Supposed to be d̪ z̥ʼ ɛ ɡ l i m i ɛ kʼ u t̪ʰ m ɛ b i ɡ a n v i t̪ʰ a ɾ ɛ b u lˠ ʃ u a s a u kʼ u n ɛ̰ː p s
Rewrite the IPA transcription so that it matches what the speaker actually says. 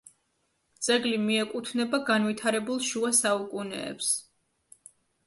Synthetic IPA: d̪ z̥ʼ ɛ ɡ l i m i ɛ kʼ u t̪ʰ n ɛ b a ɡ a n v i t̪ʰ a ɾ ɛ b u lˠ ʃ u a s a u kʼ u n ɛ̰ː p s

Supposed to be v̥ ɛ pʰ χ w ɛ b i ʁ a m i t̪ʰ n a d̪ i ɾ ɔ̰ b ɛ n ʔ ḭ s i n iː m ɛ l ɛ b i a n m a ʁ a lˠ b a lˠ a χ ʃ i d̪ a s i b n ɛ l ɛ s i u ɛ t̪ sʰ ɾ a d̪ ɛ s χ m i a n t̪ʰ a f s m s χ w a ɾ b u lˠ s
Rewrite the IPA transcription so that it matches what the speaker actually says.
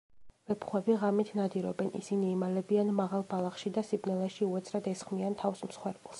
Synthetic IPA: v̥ ɛ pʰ χ w ɛ b i ʁ a m i t̪ʰ n a d̪ i ɾ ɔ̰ b ɛ n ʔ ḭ s i n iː m a l ɛ b i a n m a ʁ a lˠ b a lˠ a χ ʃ i d̪ a s i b n ɛ l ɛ ʃ i u ɛ t̪ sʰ ɾ a d̪ ɛ s χ m i a n t̪ʰ a f s m s χ w ɛ ɾ b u lˠ s

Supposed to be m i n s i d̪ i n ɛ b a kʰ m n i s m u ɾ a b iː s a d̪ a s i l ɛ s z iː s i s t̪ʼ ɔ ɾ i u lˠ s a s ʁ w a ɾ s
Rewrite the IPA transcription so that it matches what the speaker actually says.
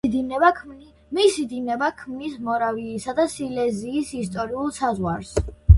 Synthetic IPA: m i s i d̪ i n ɛ b a kʰ m n i s m ɔ ɾ a v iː s a d̪ a s i l ɛ z iː s i s t̪ʼ ɔ ɾ i u lˠ s a z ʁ w a ɾ s

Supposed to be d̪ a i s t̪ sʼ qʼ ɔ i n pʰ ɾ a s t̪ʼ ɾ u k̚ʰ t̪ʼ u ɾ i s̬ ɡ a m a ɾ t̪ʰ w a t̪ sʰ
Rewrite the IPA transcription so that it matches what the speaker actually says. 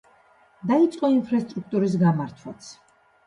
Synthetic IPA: d̪ a i t̪ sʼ qʼ ɔ i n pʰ ɾ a s t̪ʼ ɾ u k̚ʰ t̪ʼ u ɾ i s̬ ɡ a m a ɾ t̪ʰ w a t̪ sʰ

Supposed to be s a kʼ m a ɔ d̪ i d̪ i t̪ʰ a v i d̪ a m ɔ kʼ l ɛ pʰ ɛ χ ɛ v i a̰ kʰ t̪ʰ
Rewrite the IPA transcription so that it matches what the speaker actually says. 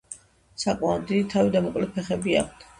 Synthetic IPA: s a kʼ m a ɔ d̪ i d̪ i t̪ʰ a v i d̪ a m ɔ kʼ l ɛ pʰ ɛ χ ɛ b i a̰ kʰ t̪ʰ

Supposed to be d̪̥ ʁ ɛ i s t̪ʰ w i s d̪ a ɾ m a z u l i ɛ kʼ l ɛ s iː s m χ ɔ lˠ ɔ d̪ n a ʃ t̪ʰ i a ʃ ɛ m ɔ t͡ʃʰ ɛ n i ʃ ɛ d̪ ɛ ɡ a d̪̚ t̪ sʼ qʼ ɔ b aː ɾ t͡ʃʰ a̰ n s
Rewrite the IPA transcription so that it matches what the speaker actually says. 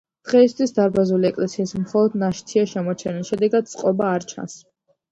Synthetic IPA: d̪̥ ʁ ɛ i s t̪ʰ w i s d̪ a ɾ b a z u l i ɛ kʼ l ɛ s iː s m χ ɔ lˠ ɔ d̪ n a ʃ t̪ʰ i a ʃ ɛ m ɔ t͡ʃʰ ɛ n i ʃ ɛ d̪ ɛ ɡ a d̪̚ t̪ sʼ qʼ ɔ b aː ɾ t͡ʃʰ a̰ n s

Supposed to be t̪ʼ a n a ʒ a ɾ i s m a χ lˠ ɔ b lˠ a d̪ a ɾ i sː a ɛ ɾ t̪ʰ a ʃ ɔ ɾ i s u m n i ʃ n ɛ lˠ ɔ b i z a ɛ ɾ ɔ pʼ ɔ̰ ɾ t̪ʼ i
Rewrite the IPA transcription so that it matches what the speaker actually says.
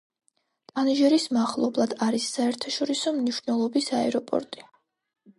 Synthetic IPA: t̪ʼ a n i ʒ ɛ ɾ i s m a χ lˠ ɔ b lˠ a d̪ a ɾ i sː a ɛ ɾ t̪ʰ a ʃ ɔ ɾ i s ɔ m n i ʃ n ɛ lˠ ɔ b i s a ɛ ɾ ɔ pʼ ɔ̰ ɾ t̪ʼ i

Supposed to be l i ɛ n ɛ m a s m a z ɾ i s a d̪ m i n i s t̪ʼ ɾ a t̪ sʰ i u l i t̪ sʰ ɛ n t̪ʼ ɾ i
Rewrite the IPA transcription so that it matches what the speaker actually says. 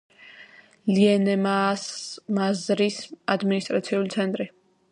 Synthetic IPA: l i ɛ n ɛ m a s m a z ɾ i s a d̪ m i n i s t̪ʼ ɾ a t̪ sʰ i u l i t̪ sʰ ɛ n t̪ʼ ɾ i

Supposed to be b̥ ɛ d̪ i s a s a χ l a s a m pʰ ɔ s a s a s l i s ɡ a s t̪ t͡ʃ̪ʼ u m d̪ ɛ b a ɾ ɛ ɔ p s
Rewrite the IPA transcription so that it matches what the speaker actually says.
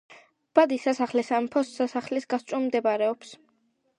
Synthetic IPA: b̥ a d̪ i s a s a χ l ɛ s a m pʰ ɔ s a s a χ l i s ɡ a s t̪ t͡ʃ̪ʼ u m d̪ ɛ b a ɾ ɛ ɔ p s

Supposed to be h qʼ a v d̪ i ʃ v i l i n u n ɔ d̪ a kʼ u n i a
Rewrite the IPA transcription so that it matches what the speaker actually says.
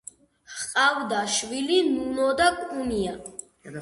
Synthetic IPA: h qʼ a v d̪ a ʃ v i l i n u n ɔ d̪ a kʼ u n i a

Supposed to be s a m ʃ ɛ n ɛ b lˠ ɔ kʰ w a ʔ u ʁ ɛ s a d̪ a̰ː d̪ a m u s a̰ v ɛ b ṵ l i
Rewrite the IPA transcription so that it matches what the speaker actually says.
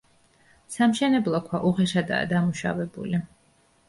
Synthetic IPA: s a m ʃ ɛ n ɛ b lˠ ɔ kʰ w a ʔ u ʁ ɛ ʃ a d̪ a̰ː d̪ a m u ʃ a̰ v ɛ b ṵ l i

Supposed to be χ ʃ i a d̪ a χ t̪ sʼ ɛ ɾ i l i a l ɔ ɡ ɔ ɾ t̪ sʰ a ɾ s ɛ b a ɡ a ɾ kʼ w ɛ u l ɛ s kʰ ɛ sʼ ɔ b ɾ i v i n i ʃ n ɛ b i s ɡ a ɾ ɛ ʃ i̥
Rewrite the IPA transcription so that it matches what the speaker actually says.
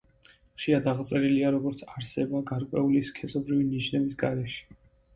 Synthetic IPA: χ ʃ i a d̪ a ʁ t̪ sʼ ɛ ɾ i l i a ɾ ɔ ɡ ɔ ɾ t̪ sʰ a ɾ s ɛ b a ɡ a ɾ kʼ w ɛ u l i s kʰ ɛ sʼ ɔ b ɾ i v i n i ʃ n ɛ b i s ɡ a ɾ ɛ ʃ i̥

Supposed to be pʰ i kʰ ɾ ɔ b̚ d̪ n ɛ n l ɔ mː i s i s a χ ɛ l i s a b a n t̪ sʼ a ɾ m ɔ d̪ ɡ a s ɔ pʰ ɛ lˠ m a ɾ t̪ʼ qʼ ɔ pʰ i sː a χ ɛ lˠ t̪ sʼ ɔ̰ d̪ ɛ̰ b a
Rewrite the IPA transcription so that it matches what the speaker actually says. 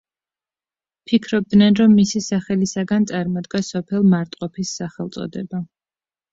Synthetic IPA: pʰ i kʰ ɾ ɔ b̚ d̪ n ɛ n ɾ ɔ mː i s i s a χ ɛ l i s a ɡ a n t̪ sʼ a ɾ m ɔ d̪ ɡ a s ɔ pʰ ɛ lˠ m a ɾ t̪ʼ qʼ ɔ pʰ i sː a χ ɛ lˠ t̪ sʼ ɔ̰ d̪ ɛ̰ b a

